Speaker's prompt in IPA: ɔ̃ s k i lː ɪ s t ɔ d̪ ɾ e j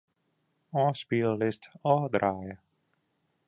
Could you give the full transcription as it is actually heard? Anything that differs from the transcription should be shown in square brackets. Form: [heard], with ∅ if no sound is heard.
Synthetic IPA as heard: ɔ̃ s [p] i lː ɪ s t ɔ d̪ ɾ [a] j